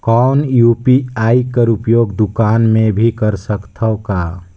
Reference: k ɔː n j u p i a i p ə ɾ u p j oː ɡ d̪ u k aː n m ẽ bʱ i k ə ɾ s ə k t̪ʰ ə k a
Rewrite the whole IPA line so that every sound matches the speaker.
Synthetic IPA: k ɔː n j u p i a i k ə ɾ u p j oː ɡ d̪ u k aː n m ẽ bʱ i k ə ɾ s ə k t̪ʰ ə k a